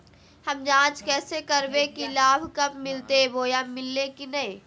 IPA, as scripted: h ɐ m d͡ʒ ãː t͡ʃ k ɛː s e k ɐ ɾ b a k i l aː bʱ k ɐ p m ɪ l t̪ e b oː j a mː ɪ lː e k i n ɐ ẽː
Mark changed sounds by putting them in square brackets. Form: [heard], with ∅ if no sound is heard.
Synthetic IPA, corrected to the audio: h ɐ m d͡ʒ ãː t͡ʃ k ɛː s e k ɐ ɾ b [e] k i l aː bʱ k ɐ p m ɪ l t̪ e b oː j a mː ɪ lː e k i n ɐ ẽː